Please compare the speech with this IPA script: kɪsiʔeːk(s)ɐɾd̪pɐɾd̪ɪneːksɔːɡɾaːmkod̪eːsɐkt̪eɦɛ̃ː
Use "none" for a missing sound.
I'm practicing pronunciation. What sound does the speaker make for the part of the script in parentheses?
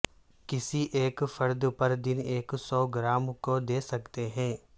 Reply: f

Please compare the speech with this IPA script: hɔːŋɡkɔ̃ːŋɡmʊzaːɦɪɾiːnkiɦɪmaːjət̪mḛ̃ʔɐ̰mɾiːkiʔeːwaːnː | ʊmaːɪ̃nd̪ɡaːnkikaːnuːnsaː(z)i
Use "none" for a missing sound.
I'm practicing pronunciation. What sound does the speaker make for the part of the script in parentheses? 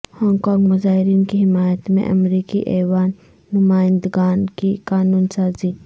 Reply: z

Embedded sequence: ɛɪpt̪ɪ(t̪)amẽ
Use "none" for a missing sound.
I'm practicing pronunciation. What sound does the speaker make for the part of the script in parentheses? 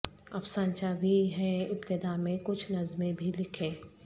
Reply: d̪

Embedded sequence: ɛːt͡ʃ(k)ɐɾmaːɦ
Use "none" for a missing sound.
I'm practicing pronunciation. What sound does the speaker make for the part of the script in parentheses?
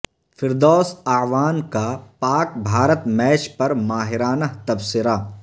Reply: p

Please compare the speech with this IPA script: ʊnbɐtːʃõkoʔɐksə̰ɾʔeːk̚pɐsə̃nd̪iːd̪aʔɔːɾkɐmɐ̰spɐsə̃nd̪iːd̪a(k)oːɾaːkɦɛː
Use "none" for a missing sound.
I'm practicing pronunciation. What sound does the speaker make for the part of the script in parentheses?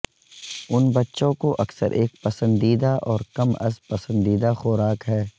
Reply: x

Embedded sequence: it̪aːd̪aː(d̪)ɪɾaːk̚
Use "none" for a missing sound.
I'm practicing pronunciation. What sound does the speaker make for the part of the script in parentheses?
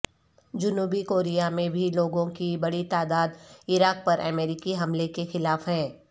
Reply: d̪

